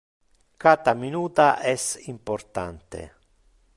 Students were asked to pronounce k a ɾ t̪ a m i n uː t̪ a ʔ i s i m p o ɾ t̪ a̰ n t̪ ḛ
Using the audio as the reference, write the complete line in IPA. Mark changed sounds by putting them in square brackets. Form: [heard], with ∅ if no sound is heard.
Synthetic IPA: k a [∅] t̪ a m i n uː t̪ a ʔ [ɛ] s i m p o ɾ t̪ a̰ n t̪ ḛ